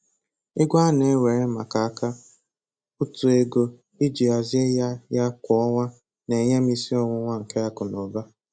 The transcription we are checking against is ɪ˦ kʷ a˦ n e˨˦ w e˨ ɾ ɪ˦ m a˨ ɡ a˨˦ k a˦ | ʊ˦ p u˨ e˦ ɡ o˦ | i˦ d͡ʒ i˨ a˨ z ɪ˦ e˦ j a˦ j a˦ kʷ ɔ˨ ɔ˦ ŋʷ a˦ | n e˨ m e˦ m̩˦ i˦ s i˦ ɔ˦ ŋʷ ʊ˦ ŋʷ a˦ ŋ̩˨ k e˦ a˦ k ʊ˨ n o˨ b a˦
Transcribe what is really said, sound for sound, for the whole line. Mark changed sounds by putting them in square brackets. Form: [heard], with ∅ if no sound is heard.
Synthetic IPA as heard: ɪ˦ [ɡʷ] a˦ n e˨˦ w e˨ ɾ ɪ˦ m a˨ [k] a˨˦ k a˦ | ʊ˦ [t] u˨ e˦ ɡ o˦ | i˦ d͡ʒ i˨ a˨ z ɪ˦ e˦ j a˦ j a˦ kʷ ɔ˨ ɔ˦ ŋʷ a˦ | n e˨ [ɲ] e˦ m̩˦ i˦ s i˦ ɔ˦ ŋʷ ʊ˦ ŋʷ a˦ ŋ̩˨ k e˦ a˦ k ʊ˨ n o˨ b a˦